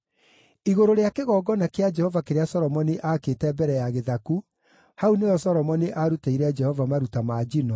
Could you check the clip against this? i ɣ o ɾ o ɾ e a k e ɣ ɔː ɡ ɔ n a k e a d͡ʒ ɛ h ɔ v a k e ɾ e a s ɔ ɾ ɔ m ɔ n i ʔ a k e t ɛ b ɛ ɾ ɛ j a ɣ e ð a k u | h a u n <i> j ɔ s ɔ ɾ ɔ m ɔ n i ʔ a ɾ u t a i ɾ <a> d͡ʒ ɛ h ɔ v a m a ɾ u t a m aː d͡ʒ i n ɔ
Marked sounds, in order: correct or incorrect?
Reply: incorrect: e, incorrect: ɛ

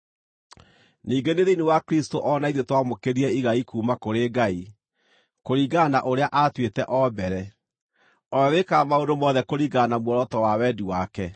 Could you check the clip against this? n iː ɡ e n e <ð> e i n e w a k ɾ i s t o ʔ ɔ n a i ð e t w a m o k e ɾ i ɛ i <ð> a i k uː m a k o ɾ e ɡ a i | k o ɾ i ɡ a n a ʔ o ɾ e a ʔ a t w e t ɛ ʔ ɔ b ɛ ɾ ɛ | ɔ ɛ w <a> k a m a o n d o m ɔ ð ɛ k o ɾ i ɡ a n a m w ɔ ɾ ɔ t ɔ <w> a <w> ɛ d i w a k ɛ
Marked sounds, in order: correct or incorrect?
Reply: correct, incorrect: ɣ, incorrect: e, correct, correct

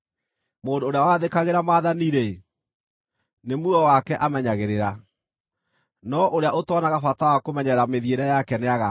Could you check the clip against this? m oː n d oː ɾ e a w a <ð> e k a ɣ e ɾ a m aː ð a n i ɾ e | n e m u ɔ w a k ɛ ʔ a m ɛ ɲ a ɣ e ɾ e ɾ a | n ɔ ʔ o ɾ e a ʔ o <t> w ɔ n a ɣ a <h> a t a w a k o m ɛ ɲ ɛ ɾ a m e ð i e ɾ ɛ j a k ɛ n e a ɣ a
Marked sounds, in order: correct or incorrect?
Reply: correct, correct, incorrect: f

